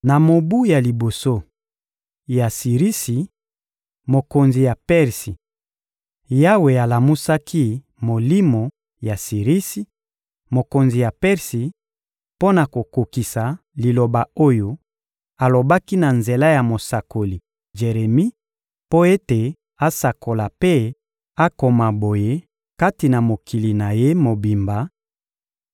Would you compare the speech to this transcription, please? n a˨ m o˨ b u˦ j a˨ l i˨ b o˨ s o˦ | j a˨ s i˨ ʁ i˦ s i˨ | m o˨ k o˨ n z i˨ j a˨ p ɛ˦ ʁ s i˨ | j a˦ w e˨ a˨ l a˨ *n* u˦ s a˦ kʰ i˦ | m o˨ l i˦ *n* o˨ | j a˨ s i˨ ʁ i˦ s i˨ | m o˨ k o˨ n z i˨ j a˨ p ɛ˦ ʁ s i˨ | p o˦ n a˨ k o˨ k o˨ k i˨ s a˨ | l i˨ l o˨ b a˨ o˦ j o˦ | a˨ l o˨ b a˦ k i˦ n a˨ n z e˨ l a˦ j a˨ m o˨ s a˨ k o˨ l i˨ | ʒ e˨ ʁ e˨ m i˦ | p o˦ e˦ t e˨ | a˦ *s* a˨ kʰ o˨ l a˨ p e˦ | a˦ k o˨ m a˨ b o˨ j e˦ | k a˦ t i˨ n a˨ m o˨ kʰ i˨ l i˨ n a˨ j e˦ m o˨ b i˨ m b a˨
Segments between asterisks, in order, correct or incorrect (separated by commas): incorrect, incorrect, correct